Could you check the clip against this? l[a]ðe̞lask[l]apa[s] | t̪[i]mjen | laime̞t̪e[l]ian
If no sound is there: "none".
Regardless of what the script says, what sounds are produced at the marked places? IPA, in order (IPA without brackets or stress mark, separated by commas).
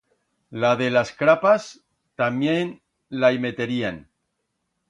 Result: a, ɾ, s, a, ɾ